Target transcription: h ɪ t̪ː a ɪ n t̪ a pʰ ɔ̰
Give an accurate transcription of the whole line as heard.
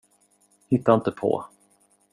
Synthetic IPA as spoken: h ɪ t̪ː a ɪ n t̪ ə pʰ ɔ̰